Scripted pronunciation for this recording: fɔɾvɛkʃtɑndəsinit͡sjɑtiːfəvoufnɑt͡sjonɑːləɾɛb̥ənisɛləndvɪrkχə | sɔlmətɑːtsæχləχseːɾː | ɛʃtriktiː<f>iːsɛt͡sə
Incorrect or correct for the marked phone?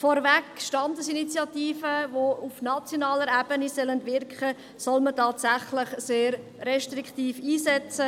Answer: correct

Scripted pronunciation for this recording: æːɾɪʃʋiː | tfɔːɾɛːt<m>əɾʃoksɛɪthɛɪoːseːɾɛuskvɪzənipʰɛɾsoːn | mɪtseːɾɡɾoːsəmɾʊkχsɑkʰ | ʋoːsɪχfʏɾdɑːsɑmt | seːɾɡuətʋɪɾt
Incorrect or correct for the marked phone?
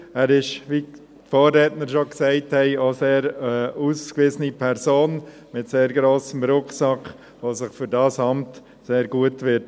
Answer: incorrect: n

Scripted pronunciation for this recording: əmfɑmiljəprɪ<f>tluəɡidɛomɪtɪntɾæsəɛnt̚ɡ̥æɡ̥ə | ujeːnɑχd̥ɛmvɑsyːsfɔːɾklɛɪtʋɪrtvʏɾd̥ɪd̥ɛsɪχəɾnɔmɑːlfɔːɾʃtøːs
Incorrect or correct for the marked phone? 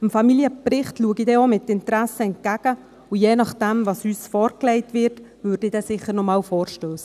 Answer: incorrect: χ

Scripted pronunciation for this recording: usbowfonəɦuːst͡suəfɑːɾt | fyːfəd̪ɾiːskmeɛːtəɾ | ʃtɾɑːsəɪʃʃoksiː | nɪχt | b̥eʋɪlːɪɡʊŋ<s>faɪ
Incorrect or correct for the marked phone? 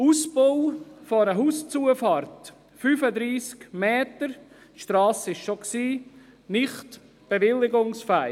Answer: correct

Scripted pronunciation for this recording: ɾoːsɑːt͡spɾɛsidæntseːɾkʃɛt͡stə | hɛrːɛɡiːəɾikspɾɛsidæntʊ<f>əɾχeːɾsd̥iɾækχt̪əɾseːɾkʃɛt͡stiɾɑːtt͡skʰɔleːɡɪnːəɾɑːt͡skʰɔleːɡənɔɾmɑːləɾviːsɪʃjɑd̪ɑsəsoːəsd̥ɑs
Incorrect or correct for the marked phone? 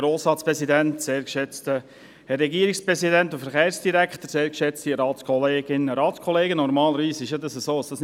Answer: correct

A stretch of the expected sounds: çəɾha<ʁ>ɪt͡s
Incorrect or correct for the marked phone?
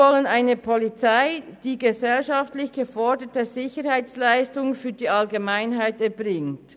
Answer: incorrect: none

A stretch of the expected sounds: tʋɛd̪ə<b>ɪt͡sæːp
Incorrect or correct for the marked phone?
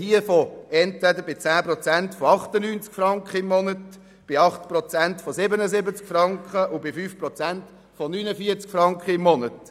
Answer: correct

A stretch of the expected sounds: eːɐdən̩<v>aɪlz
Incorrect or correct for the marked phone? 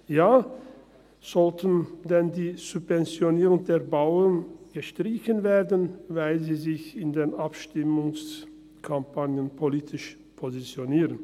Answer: correct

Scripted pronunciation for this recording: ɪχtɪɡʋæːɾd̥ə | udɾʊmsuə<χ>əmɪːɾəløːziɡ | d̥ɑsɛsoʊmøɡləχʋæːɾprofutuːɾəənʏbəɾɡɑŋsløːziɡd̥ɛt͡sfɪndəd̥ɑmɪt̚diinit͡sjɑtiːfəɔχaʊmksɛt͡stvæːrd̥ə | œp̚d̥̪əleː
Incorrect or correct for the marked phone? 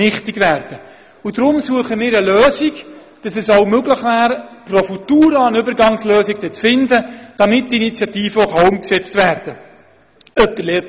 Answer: correct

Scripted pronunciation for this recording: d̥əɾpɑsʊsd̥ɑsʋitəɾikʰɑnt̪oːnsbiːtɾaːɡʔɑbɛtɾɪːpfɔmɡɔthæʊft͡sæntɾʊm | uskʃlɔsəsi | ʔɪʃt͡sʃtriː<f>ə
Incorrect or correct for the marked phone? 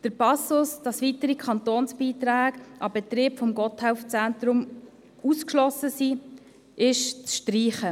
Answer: incorrect: χ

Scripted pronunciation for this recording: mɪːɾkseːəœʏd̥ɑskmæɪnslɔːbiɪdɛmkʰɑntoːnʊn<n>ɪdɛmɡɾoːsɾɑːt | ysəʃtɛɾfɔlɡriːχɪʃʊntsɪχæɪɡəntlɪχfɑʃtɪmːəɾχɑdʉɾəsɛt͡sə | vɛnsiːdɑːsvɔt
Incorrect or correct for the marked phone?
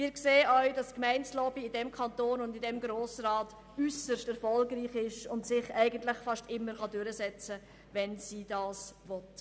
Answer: incorrect: d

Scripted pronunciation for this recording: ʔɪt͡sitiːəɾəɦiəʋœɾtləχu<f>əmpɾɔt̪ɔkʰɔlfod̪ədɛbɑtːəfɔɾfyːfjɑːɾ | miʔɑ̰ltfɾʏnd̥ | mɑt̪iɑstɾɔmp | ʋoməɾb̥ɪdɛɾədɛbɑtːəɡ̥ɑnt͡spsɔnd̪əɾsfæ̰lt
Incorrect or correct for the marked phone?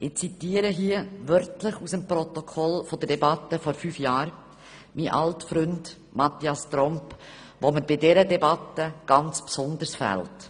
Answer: incorrect: s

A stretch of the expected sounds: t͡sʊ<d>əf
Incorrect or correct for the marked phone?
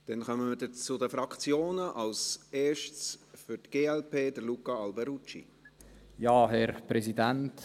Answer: correct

